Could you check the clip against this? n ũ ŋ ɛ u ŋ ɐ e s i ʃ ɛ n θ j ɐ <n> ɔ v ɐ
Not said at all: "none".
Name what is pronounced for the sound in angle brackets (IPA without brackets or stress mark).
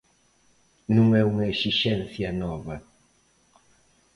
n